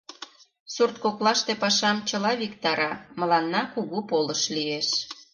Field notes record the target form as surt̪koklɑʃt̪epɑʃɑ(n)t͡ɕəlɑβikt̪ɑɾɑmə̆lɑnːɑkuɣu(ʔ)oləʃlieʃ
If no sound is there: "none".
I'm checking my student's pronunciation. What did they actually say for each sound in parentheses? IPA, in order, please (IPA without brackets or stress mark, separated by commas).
m, p